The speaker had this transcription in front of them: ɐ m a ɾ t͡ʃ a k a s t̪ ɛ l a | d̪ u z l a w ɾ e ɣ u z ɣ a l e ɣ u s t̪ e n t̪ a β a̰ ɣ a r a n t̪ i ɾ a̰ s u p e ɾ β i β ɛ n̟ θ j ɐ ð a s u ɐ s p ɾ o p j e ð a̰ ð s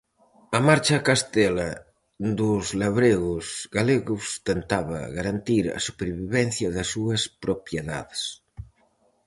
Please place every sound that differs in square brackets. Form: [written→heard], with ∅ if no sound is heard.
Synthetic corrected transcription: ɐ m a ɾ t͡ʃ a k a s t̪ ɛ l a | d̪ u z l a [w→β] ɾ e ɣ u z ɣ a l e ɣ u s t̪ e n t̪ a β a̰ ɣ a [r→ɾ] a n t̪ i ɾ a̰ s u p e ɾ β i β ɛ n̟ θ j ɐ ð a s u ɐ s p ɾ o p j e ð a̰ ð s